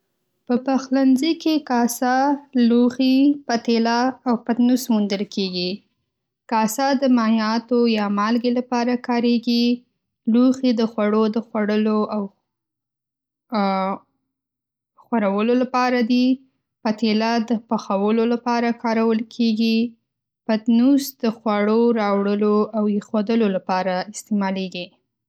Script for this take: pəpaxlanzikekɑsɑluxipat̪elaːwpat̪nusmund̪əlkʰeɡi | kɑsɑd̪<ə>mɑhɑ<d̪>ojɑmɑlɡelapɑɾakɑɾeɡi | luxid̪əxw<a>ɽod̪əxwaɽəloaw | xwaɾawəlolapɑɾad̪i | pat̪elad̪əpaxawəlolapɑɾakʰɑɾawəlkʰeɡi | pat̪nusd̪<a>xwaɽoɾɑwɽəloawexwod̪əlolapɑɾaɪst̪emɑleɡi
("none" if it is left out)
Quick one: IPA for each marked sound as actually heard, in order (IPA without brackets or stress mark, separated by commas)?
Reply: ə, t̪, a, ə